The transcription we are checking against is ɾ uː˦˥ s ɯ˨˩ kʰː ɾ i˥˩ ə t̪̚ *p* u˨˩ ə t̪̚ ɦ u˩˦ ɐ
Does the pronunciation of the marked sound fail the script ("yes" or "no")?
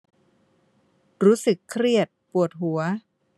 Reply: no